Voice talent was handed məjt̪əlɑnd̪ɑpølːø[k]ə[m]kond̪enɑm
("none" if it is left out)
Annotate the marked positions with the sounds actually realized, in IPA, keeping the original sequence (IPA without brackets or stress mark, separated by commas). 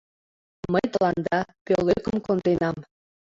k, m